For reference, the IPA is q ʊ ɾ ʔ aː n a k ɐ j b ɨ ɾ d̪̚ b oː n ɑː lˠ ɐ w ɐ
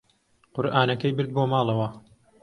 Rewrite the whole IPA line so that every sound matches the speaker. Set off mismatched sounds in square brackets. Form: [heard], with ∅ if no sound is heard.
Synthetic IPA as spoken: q ʊ ɾ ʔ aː n [ɐ] k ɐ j b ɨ ɾ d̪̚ b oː [m] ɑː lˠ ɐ w ɐ